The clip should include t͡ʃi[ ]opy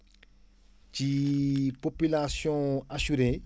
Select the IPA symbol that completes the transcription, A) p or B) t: A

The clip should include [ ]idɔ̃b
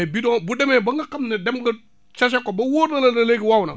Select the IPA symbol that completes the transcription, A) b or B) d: A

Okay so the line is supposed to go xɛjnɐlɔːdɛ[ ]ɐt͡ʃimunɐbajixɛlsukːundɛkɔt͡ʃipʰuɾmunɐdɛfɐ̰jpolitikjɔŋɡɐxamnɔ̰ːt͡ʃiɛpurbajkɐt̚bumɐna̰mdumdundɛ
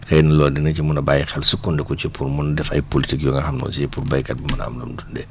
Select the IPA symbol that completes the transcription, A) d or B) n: B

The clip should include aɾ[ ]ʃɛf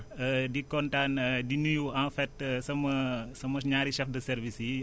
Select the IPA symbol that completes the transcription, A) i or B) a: A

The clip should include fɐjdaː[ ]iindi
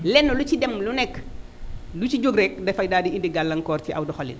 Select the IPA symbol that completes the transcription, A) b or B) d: B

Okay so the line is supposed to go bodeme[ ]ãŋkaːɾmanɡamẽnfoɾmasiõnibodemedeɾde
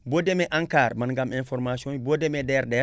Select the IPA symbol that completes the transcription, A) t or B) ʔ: B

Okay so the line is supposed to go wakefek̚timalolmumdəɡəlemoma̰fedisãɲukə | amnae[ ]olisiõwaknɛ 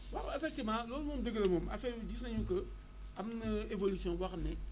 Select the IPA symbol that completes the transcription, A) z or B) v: B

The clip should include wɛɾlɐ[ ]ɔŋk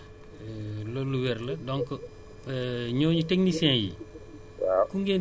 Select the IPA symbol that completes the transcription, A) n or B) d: B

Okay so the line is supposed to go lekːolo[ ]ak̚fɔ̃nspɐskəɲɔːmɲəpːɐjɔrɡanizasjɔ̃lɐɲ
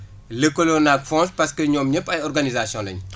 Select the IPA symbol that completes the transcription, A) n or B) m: A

